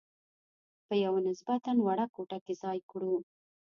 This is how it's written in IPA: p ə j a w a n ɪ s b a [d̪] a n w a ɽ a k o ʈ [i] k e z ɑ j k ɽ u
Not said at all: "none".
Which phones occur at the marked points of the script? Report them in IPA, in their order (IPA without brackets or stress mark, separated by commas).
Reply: t̪, a